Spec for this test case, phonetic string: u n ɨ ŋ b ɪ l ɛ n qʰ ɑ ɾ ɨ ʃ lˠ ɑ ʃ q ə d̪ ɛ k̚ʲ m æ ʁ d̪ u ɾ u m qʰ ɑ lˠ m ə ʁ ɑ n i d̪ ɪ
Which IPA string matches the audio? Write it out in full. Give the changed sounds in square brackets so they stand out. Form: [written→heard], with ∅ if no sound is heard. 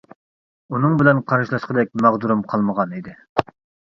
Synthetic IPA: u n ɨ ŋ b ɪ l ɛ n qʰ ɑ ɾ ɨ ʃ lˠ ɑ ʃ q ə d̪ ɛ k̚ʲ m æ ʁ d̪ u ɾ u m qʰ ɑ lˠ m ə ʁ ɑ n i d̪ ɪ